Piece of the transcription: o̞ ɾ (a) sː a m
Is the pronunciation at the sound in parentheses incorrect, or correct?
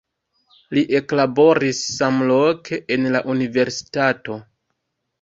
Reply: incorrect